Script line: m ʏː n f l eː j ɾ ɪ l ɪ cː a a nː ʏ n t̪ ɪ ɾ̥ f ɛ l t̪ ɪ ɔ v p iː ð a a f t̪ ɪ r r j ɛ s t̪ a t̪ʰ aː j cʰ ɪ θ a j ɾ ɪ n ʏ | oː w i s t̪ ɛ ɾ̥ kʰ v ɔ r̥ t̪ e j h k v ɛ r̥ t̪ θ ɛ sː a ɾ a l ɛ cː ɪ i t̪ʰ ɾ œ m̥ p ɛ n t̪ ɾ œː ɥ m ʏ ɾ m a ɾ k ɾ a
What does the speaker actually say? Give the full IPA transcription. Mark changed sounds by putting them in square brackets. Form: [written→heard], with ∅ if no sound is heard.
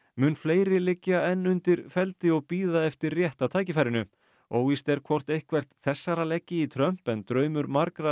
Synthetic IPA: m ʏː n f l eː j ɾ ɪ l ɪ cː a [a→ɛ] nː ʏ n t̪ ɪ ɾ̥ f ɛ l t̪ ɪ ɔ [v→ɣ] p iː ð a [a→ɛ] f t̪ ɪ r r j ɛ [s→h] t̪ a t̪ʰ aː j [cʰ→c] ɪ [θ→f] a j ɾ ɪ n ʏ | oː w i s t̪ ɛ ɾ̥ kʰ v ɔ r̥ t̪ e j h k v ɛ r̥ t̪ θ ɛ sː a ɾ a l ɛ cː ɪ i t̪ʰ ɾ œ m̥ p ɛ n t̪ ɾ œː ɥ m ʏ ɾ m a ɾ k ɾ a